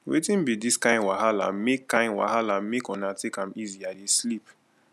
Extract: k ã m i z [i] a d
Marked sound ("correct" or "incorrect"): correct